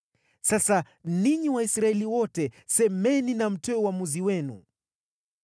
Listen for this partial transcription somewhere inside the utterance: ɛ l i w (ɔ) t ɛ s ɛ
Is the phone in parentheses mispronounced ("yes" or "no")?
no